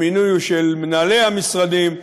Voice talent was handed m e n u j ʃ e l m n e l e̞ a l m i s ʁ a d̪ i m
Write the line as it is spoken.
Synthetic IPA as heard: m i n u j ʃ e l m n a l e̞ a m i s ʁ a d̪ i m